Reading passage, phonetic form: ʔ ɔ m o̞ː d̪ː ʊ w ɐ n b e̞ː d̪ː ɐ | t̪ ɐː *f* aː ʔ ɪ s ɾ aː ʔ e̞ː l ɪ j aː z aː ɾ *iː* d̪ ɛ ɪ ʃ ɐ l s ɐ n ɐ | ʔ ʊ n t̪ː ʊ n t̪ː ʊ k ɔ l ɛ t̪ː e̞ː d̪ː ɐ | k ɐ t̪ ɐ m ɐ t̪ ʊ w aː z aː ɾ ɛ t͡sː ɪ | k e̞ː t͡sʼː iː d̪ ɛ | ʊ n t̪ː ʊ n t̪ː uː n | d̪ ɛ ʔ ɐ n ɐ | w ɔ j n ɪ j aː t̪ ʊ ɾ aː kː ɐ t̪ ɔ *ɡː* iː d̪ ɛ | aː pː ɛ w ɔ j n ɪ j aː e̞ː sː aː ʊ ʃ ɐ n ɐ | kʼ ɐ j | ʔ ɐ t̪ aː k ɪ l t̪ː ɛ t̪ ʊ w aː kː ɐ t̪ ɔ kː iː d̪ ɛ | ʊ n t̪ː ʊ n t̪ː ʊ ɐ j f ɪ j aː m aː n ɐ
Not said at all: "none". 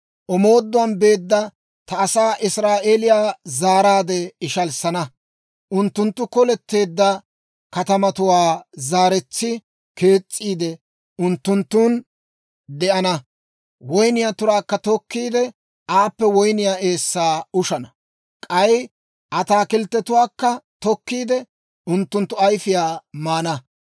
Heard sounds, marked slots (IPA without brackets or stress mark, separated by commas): s, aː, kː